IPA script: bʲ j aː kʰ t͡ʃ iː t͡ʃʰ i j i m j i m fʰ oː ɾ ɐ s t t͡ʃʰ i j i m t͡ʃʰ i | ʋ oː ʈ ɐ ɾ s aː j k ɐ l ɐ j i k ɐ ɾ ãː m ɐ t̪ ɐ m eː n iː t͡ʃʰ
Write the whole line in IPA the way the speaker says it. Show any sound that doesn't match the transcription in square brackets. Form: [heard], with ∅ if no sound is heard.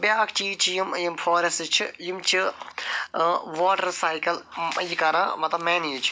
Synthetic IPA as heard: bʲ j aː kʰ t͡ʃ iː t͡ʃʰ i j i m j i m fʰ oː ɾ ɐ s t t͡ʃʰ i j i m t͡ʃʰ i | ʋ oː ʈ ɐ ɾ s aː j k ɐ l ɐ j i k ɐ ɾ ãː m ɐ t̪ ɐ m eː n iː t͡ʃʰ